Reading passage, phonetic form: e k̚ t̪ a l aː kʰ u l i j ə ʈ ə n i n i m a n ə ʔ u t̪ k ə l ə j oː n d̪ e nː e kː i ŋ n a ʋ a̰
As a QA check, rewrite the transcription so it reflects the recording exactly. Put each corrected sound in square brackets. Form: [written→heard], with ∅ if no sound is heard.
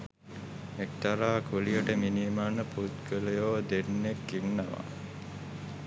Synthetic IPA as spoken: e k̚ t̪ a [l→ɾ] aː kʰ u l i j ə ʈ ə [n→m] i n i m a n ə [ʔ→p] u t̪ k ə l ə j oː [n→∅] d̪ e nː e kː i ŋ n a ʋ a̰